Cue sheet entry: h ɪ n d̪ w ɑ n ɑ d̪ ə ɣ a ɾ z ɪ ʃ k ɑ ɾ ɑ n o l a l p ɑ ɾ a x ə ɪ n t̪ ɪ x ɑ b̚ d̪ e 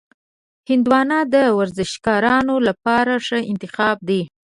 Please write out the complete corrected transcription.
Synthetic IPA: h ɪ n d̪ w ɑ n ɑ d̪ ə w a ɾ z ɪ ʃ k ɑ ɾ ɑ n o l a p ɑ ɾ a ʂ ə ɪ n t̪ ɪ x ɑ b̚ d̪ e